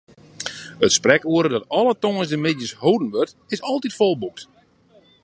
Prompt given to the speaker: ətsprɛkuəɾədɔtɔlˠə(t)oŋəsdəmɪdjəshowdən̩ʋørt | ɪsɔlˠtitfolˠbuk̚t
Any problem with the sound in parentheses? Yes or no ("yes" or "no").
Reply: no